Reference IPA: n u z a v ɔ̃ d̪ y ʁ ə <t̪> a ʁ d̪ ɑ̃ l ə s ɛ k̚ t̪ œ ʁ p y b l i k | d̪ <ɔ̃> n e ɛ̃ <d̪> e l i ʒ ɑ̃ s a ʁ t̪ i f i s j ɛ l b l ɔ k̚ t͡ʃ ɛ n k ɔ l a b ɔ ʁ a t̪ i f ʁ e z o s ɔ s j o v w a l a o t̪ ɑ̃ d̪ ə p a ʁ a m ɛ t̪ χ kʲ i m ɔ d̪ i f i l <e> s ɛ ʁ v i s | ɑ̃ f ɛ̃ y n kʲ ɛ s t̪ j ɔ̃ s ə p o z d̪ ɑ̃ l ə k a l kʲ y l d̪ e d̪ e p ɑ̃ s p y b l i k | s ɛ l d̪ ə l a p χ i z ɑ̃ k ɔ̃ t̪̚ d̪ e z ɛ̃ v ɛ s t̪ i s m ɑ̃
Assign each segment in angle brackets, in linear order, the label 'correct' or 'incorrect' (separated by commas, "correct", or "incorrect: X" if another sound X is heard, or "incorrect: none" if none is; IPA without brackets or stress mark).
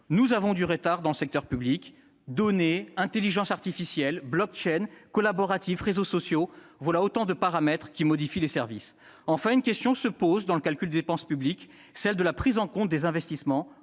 correct, incorrect: ɔ, incorrect: t̪, correct